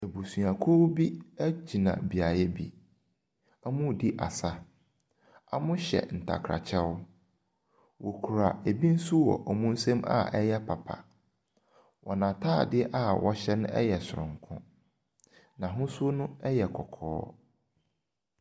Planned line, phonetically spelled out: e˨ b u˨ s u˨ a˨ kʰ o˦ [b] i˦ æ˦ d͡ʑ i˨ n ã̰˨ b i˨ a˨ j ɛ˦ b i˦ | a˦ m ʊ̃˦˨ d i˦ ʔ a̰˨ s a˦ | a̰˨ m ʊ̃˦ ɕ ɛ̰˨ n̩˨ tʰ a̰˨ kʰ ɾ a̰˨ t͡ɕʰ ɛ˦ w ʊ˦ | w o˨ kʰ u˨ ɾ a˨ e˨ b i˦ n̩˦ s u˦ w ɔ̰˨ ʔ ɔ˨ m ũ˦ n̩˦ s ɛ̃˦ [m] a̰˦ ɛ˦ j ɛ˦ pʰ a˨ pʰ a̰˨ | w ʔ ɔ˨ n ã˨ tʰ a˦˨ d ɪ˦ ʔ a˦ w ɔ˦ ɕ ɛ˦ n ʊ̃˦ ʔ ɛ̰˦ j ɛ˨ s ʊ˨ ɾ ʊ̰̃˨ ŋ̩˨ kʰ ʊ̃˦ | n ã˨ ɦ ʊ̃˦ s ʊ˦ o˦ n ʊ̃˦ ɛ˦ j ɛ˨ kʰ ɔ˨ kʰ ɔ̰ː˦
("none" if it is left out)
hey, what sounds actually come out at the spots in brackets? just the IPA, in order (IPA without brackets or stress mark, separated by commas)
b, m